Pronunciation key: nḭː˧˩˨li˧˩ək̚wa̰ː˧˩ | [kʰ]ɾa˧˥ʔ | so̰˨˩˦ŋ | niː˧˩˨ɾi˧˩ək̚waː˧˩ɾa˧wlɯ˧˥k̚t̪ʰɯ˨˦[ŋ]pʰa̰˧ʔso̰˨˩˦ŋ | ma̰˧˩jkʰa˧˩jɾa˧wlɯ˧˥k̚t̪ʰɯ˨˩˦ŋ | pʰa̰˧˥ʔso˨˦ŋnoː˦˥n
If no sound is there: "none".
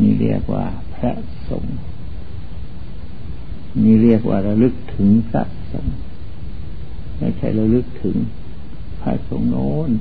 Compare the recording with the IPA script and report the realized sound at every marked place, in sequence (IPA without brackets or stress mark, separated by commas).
pʰ, ŋ